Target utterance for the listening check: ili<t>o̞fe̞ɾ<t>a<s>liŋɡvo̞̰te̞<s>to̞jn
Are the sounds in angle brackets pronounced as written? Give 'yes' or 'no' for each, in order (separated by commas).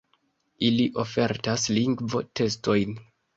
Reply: no, yes, yes, yes